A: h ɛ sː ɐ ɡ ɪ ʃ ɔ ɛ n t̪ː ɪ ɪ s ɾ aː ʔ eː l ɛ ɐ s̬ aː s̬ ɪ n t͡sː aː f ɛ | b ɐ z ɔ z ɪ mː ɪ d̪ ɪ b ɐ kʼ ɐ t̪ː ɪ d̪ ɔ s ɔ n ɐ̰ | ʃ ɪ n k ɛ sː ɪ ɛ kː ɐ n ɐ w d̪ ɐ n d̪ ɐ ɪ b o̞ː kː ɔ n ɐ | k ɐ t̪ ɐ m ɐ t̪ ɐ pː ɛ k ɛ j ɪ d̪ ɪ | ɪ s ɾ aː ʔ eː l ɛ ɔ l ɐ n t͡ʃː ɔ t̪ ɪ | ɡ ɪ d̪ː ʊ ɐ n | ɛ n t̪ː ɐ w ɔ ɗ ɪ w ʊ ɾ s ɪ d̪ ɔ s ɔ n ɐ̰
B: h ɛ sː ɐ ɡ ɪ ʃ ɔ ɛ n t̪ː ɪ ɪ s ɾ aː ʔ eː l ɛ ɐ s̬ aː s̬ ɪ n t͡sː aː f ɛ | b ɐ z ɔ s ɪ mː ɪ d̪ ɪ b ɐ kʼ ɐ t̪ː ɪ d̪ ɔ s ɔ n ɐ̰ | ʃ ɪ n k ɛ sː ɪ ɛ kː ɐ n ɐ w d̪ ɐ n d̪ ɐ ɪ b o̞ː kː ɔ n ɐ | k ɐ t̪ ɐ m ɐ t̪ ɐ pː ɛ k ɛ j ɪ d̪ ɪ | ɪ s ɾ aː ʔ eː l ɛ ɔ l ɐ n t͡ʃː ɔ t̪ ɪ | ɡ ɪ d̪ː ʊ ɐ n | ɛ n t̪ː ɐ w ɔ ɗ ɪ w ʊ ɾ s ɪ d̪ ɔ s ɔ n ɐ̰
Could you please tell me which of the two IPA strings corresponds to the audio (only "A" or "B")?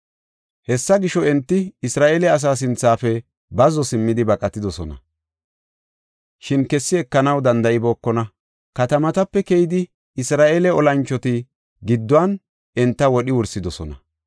B